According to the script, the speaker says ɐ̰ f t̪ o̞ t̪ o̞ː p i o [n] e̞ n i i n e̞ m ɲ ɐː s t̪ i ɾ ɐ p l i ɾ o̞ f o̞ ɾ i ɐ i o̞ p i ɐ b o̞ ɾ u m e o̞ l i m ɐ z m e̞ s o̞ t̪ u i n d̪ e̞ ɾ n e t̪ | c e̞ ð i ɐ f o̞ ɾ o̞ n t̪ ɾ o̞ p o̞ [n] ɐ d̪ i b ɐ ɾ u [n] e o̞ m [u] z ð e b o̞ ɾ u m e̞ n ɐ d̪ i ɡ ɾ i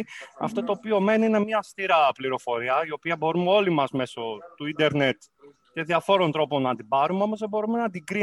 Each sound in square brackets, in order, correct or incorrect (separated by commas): incorrect, correct, incorrect, incorrect